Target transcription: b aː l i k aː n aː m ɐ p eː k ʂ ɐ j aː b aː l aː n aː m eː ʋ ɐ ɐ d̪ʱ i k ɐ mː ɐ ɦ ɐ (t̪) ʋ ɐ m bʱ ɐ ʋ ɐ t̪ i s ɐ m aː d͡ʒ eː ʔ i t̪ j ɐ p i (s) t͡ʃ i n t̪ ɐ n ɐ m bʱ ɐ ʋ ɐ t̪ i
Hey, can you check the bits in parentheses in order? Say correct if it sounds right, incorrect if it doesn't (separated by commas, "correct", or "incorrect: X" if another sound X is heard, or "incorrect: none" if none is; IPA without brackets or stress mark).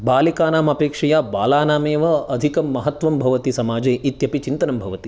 correct, incorrect: none